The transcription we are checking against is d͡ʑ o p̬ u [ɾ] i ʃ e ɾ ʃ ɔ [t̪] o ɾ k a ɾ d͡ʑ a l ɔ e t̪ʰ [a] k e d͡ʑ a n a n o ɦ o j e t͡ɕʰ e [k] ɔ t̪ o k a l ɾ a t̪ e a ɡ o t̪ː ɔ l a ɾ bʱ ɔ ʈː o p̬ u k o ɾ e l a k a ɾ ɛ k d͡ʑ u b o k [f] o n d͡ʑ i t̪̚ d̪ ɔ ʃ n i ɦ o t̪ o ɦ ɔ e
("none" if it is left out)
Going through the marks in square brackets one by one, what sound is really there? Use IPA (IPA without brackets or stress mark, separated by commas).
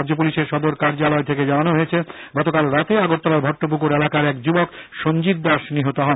l, d̪, e, ɡ, ʃ